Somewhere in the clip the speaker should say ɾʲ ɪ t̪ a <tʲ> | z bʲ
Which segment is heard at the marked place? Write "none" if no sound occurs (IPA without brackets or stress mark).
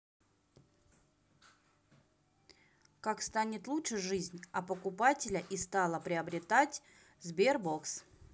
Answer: tʲ